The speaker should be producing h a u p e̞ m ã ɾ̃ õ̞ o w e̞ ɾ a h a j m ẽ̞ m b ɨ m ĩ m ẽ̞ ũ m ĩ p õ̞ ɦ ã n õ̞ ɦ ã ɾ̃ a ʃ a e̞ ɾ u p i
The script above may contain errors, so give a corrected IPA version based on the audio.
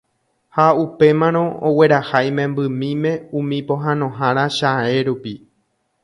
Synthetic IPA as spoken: h a u p e̞ m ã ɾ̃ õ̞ o w e̞ ɾ a h a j m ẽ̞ m b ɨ m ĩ m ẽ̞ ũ m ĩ p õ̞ ɦ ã n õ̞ ɦ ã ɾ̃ a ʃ a e̞ ɾ u p i

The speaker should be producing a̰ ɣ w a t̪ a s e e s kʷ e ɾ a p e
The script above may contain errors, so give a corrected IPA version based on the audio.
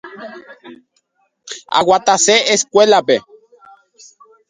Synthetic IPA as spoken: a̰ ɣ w a t̪ a s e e s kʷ e l a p e

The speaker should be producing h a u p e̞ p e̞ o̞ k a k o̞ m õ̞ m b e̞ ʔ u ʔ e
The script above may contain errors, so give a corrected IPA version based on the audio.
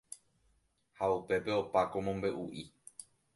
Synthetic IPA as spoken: h a u p e̞ p e̞ o̞ p a k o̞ m õ̞ m b e̞ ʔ u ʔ i

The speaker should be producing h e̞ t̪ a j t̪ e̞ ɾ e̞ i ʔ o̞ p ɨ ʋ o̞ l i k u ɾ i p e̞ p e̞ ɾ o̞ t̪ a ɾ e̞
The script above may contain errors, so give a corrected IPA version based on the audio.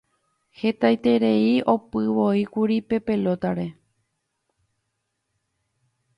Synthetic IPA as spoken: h e̞ t̪ a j t̪ e̞ ɾ e̞ i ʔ o̞ p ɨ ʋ o̞ i k u ɾ i p e̞ p e̞ l o̞ t̪ a ɾ e̞

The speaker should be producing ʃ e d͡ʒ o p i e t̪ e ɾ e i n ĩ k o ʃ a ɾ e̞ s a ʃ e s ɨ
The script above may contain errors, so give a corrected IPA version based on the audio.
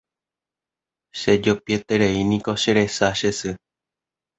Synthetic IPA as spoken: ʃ e d͡ʒ o p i e t̪ e ɾ e i n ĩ k o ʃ e ɾ e̞ s a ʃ e s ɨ

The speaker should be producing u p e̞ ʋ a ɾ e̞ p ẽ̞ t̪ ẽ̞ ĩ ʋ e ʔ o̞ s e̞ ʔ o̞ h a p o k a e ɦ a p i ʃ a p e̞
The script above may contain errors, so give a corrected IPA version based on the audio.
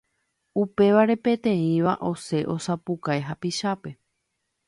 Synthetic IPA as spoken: u p e̞ ʋ a ɾ e̞ p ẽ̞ t̪ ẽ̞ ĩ ʋ a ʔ o̞ s e̞ ʔ o̞ s a p u k a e ɦ a p i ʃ a p e̞

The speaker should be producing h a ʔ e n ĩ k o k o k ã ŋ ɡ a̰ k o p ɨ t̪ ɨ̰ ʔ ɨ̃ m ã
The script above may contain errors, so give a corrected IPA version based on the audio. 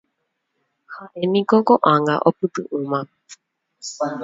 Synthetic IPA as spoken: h a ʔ e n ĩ k o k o ʔ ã ŋ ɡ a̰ ʔ o p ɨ t̪ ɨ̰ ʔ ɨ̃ m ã

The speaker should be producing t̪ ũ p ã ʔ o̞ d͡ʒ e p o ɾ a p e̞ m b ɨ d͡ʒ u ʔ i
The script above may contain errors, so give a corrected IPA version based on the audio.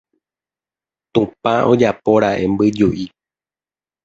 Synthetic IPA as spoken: t̪ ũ p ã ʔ o̞ d͡ʒ a p o ɾ a ʔ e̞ m b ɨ d͡ʒ u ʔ i

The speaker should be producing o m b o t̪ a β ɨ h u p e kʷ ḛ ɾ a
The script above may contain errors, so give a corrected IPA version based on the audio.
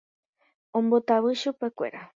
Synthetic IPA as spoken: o m b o t̪ a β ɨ ʃ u p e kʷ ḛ ɾ a

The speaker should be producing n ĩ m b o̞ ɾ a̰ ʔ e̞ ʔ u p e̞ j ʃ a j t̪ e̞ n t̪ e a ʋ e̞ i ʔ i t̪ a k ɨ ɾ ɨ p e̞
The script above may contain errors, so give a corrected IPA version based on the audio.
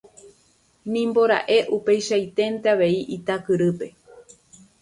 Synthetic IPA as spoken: n ĩ m b o̞ ɾ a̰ ʔ e̞ ʔ u p e̞ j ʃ a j t̪ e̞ n t̪ e a ʋ e̞ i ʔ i t̪ a k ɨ ɾ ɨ p e̞

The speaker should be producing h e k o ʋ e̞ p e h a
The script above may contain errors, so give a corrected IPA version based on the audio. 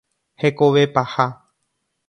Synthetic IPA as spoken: h e k o ʋ e̞ p a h a

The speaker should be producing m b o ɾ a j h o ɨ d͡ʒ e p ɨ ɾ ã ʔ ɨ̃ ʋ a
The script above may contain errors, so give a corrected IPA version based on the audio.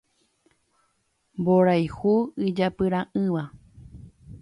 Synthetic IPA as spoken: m b o ɾ a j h u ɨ d͡ʒ a p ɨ ɾ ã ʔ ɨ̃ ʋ a

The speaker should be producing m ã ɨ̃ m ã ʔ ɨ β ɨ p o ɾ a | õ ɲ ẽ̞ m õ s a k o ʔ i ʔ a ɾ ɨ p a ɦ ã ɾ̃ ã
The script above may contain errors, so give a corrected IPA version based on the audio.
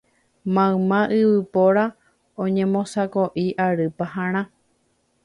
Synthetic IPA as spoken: m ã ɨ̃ m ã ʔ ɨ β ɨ p o ɾ a | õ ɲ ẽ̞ m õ s a k o ʔ i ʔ a ɾ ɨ p a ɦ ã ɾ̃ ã

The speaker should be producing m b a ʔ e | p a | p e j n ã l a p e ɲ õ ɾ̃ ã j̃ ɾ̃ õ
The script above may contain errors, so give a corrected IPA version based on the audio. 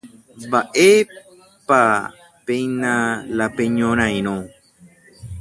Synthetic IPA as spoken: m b a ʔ e | p a | p e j n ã l a p e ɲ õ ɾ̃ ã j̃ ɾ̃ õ

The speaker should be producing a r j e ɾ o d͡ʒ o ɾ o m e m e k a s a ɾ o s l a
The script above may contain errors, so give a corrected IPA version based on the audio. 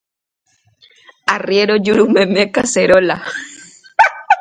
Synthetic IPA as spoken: a r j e ɾ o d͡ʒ u ɾ u m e m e k a s e ɾ o l a

